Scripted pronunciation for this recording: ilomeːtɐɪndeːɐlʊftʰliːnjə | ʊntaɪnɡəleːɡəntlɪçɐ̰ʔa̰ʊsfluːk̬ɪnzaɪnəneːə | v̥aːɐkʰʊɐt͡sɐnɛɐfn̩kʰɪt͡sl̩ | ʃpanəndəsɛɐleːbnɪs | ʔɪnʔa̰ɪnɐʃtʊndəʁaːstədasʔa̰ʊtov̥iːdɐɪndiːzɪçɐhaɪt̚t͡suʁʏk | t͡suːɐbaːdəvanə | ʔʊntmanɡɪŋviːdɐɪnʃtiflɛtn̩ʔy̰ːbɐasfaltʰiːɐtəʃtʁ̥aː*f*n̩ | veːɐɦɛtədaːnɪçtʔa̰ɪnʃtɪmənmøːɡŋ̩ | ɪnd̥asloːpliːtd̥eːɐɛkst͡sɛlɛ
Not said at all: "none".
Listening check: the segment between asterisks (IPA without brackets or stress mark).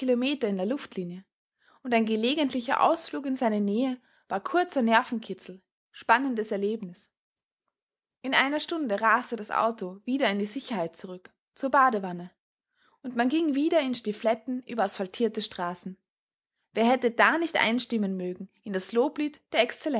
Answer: s